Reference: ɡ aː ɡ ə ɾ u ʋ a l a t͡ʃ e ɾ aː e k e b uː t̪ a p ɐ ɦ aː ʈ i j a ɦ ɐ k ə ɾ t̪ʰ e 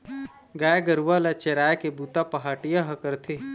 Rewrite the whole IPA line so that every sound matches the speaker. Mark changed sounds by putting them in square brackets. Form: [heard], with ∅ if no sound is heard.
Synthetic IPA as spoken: ɡ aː ɡ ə ɾ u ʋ a l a t͡ʃ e ɾ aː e k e b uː t̪ a p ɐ ɦ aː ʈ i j a ɦ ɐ k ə ɾ t̪ʰ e